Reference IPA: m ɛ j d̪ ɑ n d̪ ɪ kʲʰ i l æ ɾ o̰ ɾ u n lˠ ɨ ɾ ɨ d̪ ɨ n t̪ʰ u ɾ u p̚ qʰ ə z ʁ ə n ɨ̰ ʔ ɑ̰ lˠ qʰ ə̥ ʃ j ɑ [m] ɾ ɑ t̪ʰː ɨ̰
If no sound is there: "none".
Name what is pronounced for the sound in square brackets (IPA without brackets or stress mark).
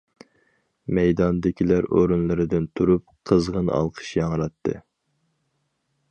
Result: ŋ